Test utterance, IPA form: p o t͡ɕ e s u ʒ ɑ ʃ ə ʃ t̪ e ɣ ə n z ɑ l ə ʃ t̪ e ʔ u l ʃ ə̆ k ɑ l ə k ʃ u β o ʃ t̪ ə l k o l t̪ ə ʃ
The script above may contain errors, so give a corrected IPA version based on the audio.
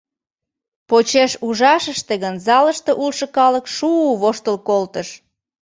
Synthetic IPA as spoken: p o t͡ɕ e ʃ u ʒ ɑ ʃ ə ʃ t̪ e ɣ ə n z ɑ l ə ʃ t̪ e ʔ u l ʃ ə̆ k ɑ l ə k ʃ u β o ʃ t̪ ə l k o l t̪ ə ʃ

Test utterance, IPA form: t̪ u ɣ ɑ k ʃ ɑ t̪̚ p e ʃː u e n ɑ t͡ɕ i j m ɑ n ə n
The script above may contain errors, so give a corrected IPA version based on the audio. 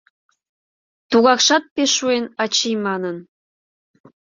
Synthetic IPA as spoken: t̪ u ɣ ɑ k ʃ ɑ t̪̚ p e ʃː u e n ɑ t͡ɕ i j m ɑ n ə n

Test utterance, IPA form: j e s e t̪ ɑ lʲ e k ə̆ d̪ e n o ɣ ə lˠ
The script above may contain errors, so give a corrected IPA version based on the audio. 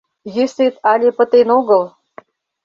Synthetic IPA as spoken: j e s e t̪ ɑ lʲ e p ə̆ t̪ e n o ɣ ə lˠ

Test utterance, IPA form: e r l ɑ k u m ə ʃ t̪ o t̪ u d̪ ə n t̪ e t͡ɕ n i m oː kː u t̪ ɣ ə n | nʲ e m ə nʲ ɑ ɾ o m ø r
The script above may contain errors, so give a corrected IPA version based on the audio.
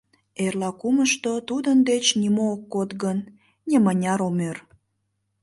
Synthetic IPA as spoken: e r l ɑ k u m ə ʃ t̪ o t̪ u d̪ ə n d̪ e t͡ɕ n i m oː kː o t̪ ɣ ə n | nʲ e m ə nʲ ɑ ɾ o m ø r

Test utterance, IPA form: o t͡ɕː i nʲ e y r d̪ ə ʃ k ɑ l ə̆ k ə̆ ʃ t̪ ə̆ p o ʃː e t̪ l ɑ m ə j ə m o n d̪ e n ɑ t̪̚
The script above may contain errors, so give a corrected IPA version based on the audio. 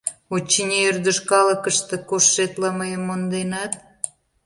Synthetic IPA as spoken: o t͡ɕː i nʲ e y r d̪ ə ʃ k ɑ l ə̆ k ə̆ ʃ t̪ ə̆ k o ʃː e t̪ l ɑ m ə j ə m o n d̪ e n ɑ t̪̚

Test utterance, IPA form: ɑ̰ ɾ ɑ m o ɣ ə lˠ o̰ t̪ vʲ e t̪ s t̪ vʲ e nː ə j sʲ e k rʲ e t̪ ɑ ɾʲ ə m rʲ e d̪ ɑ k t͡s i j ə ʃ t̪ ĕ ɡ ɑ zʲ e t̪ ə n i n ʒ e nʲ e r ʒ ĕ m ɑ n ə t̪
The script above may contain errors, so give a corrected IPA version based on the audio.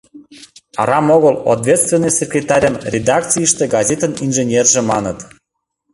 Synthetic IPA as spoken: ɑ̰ ɾ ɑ m o ɣ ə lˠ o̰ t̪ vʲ e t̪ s t̪ vʲ e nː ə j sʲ e k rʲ e t̪ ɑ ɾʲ ə m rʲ e d̪ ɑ k t͡s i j ə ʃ t̪ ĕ ɡ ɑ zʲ e t̪ ə n i n ʒ e nʲ e r ʒ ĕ m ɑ n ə t̪

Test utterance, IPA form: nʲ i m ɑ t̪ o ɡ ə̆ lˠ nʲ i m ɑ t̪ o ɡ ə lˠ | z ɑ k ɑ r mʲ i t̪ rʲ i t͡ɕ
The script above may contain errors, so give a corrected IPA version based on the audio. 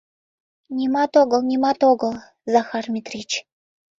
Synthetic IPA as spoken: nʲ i m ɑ t̪ o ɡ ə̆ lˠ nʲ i m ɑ t̪ o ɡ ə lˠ | z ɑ x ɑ r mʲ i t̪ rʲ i t͡ɕ

